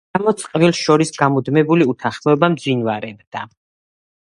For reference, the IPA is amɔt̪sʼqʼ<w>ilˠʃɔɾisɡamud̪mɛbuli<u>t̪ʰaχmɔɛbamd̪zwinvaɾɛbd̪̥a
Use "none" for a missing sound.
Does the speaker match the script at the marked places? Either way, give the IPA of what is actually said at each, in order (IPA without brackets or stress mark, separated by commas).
v, u